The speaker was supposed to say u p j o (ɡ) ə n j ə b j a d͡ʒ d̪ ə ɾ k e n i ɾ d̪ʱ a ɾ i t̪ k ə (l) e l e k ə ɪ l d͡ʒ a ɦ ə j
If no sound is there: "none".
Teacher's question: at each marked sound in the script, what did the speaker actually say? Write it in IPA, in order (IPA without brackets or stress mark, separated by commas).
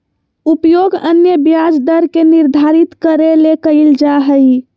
ɡ, ɾ